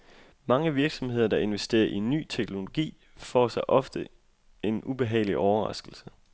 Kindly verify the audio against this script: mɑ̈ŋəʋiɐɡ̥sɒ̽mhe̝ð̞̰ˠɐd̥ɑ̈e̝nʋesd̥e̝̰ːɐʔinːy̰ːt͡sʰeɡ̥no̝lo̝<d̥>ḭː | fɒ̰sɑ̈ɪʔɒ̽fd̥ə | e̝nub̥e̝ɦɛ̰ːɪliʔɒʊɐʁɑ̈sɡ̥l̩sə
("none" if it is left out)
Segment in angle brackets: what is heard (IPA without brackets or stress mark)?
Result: ɡ̥